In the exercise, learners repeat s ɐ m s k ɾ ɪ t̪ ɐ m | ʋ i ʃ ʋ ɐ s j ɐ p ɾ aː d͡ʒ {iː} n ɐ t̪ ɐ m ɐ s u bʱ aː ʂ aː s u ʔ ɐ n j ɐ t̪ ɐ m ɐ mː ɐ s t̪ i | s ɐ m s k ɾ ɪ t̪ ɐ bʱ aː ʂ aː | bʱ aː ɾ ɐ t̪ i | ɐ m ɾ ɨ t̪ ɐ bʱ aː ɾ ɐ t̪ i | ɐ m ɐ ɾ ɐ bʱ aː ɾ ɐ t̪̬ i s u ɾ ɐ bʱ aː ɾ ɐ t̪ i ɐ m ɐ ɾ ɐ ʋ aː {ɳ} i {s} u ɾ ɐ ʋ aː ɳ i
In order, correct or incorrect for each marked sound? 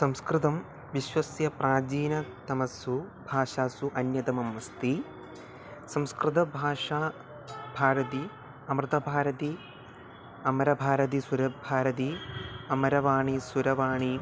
correct, correct, correct

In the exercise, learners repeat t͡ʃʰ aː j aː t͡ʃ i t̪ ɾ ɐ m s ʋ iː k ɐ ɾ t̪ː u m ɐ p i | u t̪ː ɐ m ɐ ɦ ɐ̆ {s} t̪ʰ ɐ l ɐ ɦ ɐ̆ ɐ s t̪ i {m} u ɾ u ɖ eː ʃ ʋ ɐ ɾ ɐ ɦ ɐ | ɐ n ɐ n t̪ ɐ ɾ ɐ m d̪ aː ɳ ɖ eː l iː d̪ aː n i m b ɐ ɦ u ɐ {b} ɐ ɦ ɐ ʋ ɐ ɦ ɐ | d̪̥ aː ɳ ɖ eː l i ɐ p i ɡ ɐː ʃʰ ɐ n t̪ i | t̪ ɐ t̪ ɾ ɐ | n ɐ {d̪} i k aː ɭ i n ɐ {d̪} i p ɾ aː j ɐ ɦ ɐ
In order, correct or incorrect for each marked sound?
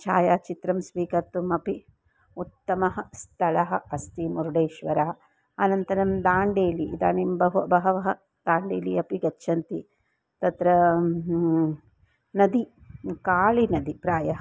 correct, correct, correct, correct, correct

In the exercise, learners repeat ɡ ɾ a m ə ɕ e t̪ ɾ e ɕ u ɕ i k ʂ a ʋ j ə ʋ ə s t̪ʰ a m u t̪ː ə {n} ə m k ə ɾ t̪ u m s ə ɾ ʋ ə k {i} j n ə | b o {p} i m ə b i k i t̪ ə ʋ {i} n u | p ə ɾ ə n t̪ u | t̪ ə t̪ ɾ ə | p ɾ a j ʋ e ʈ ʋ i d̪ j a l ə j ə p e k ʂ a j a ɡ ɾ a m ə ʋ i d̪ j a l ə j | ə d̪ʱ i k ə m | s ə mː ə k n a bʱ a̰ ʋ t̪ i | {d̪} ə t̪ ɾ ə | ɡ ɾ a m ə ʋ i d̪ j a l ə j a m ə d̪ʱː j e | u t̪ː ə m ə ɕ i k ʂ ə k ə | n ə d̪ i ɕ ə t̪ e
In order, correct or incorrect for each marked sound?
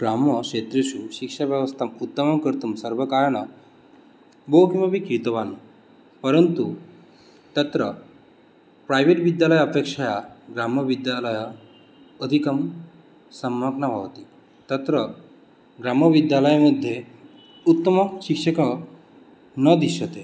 incorrect: m, incorrect: a, incorrect: k, incorrect: a, incorrect: t̪

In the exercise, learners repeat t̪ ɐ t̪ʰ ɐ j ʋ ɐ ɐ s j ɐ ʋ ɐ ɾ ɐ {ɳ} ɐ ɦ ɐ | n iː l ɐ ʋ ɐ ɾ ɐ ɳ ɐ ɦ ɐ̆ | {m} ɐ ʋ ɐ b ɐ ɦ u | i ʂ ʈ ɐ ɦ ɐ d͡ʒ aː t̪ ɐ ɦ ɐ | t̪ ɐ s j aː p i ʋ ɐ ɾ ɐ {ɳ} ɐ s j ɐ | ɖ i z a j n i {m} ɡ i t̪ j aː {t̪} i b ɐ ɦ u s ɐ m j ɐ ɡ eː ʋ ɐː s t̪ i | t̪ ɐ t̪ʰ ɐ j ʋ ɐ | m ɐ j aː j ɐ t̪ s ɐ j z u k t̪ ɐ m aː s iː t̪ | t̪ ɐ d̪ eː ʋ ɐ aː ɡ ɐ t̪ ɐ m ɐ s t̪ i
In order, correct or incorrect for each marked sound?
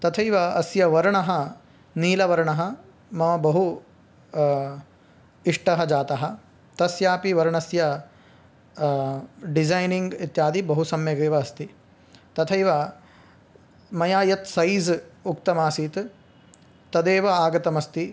correct, correct, correct, incorrect: ŋ, incorrect: d̪

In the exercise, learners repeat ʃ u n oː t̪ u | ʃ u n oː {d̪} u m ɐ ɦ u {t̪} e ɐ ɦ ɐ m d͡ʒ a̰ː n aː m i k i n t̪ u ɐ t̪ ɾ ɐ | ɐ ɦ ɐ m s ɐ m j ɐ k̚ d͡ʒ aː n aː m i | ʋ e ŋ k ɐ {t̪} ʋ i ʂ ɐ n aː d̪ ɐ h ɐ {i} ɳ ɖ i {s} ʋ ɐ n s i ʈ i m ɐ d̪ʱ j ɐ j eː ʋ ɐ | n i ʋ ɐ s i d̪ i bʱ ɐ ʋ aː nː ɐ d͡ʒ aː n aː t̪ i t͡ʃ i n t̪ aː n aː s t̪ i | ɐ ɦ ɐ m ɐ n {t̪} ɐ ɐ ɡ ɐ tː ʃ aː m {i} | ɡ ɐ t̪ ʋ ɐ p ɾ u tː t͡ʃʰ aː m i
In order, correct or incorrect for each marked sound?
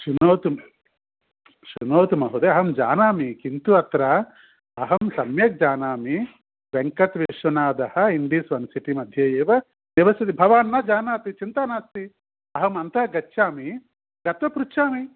incorrect: t̪, incorrect: d̪, correct, correct, correct, correct, correct

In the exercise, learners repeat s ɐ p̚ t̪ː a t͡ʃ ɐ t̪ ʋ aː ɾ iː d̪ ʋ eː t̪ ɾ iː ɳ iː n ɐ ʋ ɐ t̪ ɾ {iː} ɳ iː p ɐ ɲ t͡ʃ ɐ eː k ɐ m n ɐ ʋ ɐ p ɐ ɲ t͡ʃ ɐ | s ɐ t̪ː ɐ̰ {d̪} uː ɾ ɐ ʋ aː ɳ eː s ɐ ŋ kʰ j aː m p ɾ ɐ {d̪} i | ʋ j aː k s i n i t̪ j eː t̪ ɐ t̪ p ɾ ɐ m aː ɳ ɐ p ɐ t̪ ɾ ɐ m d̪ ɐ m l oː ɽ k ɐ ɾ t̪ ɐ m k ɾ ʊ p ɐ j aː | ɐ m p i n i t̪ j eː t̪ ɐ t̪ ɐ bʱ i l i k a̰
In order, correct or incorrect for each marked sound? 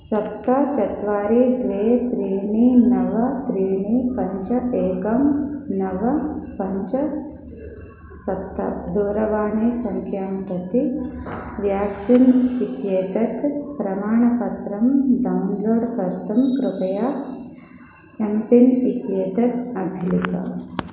correct, correct, incorrect: t̪

